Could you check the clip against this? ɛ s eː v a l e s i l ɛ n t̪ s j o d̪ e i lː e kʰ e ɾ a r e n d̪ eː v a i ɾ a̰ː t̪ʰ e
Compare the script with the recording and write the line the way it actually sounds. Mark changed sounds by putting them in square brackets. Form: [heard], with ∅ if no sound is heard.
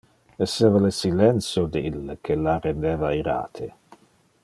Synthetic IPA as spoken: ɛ s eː v a l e s i l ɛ n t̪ s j o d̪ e i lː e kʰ e [l] a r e n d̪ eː v a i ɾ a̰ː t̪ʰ e